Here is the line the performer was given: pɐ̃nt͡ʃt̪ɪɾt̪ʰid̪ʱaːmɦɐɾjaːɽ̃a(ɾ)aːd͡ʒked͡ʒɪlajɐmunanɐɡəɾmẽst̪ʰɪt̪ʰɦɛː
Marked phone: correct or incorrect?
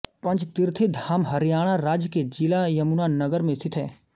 correct